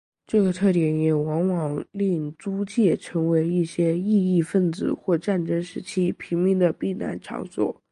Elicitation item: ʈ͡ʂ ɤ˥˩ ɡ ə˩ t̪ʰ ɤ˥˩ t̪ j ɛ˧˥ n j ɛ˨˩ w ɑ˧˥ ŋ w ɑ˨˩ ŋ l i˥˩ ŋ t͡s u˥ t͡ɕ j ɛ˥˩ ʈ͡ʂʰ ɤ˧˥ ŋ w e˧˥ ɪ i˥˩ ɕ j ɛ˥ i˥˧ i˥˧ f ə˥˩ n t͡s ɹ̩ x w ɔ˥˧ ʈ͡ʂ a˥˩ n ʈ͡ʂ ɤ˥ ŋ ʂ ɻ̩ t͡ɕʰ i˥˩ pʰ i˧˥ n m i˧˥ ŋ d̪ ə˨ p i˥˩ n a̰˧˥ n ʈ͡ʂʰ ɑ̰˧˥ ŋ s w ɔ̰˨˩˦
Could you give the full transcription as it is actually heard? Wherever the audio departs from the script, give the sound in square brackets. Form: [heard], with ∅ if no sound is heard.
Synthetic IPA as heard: ʈ͡ʂ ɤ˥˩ ɡ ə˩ t̪ʰ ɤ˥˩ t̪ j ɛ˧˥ n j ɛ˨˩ w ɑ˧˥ ŋ w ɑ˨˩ ŋ l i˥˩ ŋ t͡s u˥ t͡ɕ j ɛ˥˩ ʈ͡ʂʰ ɤ˧˥ ŋ w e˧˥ ɪ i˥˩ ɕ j ɛ˥ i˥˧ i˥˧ f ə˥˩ n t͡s ɹ̩ x w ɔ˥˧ ʈ͡ʂ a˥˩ n ʈ͡ʂ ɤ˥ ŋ ʂ ɻ̩ t͡ɕʰ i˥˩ pʰ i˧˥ [ŋ] m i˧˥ ŋ d̪ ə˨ p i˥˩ n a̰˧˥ n ʈ͡ʂʰ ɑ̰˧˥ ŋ s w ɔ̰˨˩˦